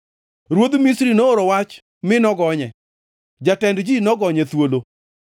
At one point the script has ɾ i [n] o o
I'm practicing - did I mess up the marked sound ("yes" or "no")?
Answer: no